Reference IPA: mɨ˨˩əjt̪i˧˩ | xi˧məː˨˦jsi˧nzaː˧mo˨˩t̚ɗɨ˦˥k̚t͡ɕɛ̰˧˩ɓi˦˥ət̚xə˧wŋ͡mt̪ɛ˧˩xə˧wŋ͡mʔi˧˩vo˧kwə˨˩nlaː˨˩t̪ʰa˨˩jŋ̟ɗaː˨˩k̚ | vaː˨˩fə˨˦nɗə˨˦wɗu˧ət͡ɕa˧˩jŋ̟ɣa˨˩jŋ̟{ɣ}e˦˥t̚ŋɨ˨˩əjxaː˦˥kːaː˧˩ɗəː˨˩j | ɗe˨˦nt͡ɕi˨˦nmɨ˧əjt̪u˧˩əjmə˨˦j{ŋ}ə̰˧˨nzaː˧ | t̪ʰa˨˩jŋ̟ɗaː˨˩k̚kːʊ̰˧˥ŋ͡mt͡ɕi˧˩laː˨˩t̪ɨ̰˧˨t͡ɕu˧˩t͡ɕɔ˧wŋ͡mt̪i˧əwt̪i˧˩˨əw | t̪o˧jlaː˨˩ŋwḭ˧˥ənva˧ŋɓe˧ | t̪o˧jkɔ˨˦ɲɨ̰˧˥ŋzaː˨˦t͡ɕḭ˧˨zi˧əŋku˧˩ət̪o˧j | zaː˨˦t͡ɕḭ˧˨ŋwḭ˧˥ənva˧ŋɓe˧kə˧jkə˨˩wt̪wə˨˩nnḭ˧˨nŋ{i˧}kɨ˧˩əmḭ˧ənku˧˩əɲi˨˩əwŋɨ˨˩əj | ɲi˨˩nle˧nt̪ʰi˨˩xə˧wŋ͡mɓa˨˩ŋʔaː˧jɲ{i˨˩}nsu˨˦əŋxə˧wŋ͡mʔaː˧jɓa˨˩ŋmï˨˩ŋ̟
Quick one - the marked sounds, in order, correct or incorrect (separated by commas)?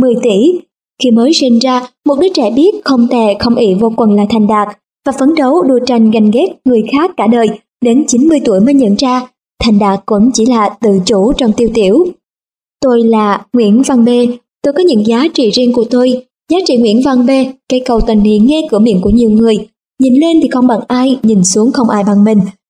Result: correct, incorrect, incorrect, correct